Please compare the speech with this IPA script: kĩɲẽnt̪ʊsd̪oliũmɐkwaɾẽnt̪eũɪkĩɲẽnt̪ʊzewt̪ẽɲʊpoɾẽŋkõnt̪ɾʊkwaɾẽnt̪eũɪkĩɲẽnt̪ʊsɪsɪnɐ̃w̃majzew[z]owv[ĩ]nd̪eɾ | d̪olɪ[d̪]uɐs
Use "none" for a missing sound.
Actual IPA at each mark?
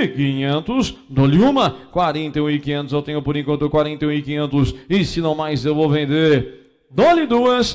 v, ẽ, d̪

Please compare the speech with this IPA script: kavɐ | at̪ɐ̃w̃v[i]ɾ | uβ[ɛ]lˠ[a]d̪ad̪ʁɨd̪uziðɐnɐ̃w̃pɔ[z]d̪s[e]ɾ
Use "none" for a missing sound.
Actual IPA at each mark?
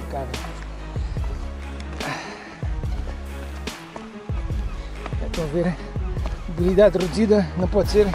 e, i, i, none, e

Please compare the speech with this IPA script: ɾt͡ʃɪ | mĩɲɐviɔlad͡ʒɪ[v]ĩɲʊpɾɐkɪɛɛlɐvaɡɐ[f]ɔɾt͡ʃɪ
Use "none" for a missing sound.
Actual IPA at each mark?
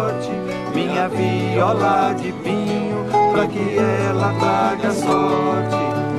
v, s

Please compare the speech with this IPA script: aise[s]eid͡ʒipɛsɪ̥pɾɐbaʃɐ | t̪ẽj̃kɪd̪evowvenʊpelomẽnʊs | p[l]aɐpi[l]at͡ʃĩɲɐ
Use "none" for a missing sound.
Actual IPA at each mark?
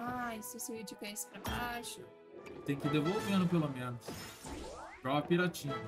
s, ɾ, ɾ

